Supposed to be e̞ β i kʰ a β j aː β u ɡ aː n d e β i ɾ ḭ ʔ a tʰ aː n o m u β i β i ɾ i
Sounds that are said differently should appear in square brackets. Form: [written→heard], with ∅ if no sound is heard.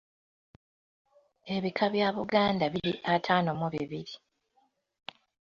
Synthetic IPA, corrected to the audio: e̞ β i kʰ a β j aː β u ɡ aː n d [e→a] β i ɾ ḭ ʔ a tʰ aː n o m u β i β i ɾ i